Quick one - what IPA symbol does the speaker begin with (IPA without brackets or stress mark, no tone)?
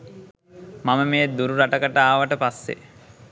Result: m